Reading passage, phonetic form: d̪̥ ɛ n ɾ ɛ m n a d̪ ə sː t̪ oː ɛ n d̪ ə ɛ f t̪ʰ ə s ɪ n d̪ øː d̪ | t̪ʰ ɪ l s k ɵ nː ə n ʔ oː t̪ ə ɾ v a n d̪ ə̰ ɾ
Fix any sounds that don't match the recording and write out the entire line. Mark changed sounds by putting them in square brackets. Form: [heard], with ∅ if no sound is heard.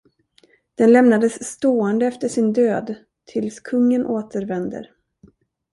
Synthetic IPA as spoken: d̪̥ ɛ n [l] ɛ m n a d̪ ə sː t̪ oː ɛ n d̪ ə ɛ f [t̪] ə [ʂ] ɪ n d̪ øː d̪ | t̪ʰ ɪ l s [kʰ] ɵ [ŋː] ə n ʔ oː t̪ ə ɾ v [ɛ] n d̪ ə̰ ɾ